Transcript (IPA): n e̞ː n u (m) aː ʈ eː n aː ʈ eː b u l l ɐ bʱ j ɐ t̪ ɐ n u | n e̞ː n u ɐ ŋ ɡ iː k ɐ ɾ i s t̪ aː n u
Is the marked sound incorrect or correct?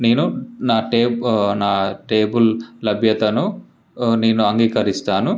incorrect